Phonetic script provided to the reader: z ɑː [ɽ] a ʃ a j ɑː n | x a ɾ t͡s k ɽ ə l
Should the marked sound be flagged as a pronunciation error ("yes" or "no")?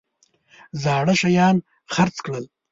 no